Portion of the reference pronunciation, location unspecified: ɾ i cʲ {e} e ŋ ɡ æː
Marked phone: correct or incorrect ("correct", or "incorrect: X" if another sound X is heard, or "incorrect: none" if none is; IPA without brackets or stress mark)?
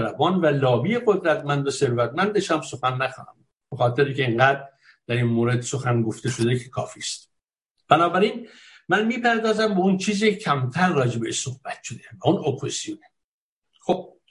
correct